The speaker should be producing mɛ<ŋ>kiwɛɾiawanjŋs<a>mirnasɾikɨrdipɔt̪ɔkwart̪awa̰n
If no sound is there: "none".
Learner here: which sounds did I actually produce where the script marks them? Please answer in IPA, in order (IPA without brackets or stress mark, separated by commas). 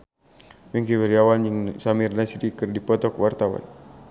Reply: ŋ, a